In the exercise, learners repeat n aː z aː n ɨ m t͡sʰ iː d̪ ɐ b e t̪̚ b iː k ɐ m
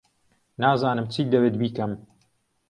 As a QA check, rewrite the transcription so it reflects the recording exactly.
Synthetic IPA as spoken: n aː z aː n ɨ m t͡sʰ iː d̪ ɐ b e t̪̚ b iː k ɐ m